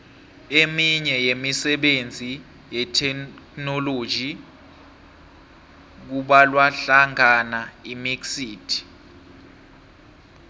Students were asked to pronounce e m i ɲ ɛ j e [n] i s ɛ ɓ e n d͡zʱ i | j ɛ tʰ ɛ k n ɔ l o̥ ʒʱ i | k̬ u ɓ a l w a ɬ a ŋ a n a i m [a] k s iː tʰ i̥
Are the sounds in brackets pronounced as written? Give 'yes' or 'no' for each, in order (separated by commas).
no, no